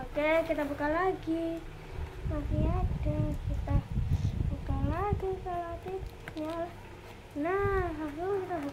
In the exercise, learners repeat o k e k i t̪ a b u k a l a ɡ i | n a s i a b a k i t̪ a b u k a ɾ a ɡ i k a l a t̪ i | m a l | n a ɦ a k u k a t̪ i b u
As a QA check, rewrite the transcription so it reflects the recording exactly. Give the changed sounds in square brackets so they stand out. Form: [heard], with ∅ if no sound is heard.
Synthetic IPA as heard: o k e k i t̪ a b u k a l a ɡ i | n a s i a [d] a k i t̪ a b u k a [l] a ɡ i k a l a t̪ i | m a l | n a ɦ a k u k [i] t̪ [a] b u